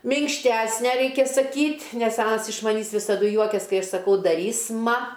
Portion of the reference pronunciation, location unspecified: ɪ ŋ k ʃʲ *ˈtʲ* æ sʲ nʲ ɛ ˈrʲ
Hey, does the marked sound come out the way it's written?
yes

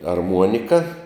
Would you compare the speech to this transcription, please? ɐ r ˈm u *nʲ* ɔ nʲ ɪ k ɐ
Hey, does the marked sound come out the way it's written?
no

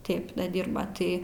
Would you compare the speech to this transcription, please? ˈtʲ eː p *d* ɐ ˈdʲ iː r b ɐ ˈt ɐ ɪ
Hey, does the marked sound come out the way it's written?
yes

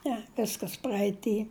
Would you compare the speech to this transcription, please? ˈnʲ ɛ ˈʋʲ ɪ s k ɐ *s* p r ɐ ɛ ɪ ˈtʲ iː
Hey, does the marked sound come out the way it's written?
yes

